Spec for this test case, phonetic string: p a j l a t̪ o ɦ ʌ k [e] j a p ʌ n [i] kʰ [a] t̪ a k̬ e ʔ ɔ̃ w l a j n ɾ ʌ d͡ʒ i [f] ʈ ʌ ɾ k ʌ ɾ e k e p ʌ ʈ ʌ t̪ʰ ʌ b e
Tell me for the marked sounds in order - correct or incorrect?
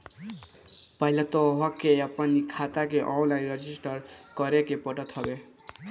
correct, correct, correct, incorrect

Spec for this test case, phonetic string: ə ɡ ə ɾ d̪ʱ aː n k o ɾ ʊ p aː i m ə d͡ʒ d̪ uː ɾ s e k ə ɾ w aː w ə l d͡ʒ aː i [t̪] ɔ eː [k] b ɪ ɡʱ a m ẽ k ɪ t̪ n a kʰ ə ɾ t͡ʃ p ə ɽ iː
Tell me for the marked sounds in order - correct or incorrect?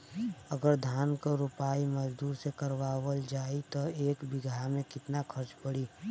correct, correct

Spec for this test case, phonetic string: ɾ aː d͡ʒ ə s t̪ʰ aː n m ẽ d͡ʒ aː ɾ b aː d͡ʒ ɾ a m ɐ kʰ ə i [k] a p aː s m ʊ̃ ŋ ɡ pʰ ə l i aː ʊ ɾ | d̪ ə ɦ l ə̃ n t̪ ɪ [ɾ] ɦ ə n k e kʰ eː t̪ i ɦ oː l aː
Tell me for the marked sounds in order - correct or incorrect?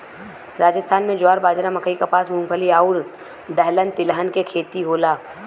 correct, incorrect

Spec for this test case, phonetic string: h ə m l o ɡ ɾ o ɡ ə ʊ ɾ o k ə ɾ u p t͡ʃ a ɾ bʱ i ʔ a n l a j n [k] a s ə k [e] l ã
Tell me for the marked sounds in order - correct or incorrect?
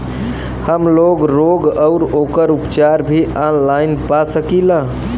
incorrect, incorrect

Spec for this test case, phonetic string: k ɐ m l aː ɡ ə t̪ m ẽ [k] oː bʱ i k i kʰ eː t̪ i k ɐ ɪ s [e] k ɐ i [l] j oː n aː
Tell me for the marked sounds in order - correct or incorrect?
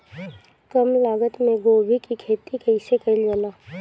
incorrect, correct, correct

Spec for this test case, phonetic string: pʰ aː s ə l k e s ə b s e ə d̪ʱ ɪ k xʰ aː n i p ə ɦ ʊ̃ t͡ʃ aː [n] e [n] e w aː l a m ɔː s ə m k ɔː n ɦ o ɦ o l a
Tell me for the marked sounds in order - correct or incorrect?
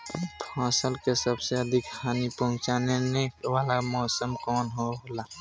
correct, correct

